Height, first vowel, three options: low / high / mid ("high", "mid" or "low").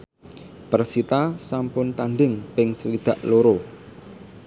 mid